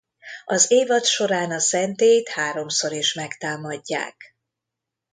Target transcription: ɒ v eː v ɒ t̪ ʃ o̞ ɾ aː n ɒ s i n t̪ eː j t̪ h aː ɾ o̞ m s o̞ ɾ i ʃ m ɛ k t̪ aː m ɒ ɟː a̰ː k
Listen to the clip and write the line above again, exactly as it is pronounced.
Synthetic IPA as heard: ɒ z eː v ɒ t̪ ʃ o̞ ɾ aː n ɒ s ɛ n t̪ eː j t̪ h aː ɾ o̞ m s o̞ ɾ i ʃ m ɛ k t̪ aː m ɒ ɟː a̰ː k